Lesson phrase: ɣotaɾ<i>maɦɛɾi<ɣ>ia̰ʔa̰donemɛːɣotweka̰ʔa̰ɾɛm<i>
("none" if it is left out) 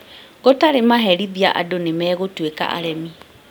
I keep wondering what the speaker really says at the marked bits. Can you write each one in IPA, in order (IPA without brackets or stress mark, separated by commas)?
e, ð, i